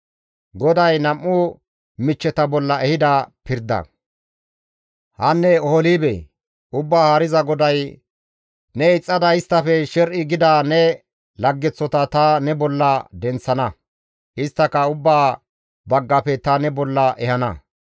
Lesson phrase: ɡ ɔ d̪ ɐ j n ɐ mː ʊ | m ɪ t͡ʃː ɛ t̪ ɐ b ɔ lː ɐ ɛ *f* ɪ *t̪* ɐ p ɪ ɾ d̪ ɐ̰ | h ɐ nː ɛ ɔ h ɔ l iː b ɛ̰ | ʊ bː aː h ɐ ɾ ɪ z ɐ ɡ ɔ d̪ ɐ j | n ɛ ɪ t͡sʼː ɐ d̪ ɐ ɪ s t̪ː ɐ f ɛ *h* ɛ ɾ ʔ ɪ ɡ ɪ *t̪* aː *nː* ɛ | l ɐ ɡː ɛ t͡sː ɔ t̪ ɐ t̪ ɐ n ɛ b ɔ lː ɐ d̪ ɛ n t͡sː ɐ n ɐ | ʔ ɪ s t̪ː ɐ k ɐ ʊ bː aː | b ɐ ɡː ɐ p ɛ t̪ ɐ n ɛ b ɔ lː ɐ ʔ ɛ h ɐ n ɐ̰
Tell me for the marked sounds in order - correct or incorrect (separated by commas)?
incorrect, incorrect, incorrect, incorrect, incorrect